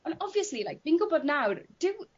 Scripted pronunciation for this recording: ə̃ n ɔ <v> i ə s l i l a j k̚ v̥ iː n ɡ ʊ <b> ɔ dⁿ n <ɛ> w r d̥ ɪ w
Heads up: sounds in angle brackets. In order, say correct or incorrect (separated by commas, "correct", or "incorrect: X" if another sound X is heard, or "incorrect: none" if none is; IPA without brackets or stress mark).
correct, correct, incorrect: a